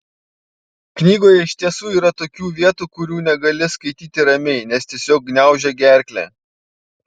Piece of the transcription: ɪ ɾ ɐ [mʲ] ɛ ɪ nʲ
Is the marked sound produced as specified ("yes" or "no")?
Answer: yes